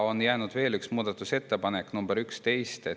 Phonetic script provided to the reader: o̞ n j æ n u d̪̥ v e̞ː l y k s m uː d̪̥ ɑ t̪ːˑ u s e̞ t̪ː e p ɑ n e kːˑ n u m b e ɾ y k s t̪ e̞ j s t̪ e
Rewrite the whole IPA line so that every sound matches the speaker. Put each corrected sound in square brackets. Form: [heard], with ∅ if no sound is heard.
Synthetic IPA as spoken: o̞ n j [æː] n u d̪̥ v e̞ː l y k s m uː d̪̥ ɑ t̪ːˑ u s e̞ t̪ː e p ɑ n e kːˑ n u m b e ɾ y k s t̪ e̞ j s t̪ e